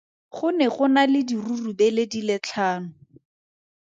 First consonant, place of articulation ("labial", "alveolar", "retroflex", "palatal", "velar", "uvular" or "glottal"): uvular